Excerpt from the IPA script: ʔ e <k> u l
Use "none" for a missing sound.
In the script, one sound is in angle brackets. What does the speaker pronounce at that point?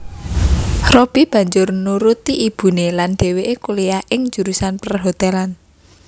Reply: k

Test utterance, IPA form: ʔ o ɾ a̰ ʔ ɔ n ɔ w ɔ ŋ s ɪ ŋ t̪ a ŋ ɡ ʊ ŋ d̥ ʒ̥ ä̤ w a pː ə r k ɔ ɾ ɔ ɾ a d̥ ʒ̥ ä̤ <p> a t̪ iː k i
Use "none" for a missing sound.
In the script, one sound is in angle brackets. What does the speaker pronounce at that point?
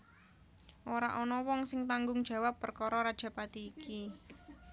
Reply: p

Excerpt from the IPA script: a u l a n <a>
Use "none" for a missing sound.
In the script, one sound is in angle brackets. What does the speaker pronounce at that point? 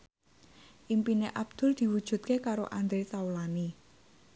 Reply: i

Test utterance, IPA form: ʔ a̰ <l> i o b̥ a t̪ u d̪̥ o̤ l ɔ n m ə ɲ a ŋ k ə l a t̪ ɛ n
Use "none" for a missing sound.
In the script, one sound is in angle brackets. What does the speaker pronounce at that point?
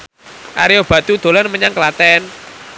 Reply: ɾ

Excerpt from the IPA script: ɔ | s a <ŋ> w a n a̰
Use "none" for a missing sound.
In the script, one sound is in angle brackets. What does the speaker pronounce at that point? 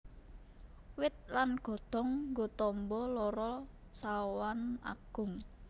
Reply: none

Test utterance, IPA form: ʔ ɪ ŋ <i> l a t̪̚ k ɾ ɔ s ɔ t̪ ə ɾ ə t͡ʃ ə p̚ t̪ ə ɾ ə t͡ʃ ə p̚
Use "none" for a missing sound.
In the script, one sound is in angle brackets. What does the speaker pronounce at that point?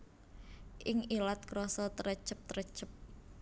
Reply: i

